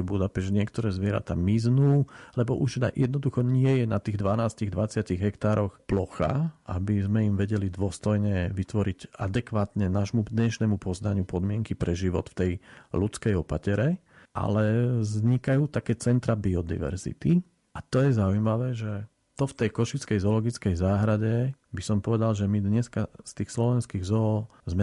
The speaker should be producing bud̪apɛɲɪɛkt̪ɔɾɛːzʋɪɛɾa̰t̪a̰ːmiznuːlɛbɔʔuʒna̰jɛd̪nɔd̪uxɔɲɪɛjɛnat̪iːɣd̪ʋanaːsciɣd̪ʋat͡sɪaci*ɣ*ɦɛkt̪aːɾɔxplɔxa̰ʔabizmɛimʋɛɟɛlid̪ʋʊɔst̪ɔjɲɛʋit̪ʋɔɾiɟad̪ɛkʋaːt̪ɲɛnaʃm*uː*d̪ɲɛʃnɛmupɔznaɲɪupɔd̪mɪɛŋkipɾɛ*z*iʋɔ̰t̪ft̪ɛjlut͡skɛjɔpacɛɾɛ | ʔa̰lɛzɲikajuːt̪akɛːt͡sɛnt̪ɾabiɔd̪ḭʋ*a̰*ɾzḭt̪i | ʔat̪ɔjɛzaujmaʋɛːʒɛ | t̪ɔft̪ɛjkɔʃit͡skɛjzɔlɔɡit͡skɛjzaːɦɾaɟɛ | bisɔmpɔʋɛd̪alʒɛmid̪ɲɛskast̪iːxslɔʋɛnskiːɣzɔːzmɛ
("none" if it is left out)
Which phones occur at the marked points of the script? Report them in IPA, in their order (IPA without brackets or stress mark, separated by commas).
ɣ, u, ʒ, ɛ̰